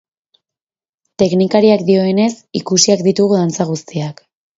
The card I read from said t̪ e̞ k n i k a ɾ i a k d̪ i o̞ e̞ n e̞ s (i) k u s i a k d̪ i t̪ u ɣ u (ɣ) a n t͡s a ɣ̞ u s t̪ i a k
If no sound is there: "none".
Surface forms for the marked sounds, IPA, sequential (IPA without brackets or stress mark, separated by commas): i, ð